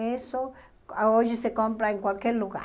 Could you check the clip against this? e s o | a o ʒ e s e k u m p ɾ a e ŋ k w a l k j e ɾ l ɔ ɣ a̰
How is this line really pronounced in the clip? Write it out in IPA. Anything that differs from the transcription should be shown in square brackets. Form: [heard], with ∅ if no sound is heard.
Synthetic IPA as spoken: e s o | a o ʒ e s e k [o] m p ɾ a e ŋ k w a l k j e ɾ l [u] ɣ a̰